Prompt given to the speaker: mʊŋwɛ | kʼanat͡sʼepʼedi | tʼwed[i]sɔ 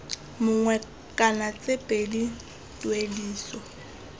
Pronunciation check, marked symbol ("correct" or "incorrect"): incorrect